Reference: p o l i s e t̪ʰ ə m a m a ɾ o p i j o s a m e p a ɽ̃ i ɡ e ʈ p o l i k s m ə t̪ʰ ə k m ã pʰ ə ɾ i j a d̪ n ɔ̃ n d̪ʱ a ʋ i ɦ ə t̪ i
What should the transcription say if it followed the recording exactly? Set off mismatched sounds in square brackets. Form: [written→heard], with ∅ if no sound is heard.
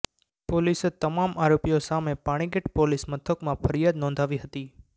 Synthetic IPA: p o l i s e [t̪ʰ→t̪] ə m a m a ɾ o p i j o s a m e p a ɽ̃ i ɡ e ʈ p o l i [k→∅] s m ə t̪ʰ ə k m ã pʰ ə ɾ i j a d̪ n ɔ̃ n d̪ʱ a ʋ i ɦ ə t̪ i